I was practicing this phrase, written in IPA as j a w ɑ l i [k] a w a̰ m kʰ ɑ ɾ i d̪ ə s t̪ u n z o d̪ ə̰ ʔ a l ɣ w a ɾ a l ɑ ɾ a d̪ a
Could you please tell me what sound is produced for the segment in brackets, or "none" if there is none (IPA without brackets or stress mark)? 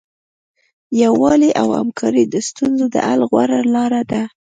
ʔ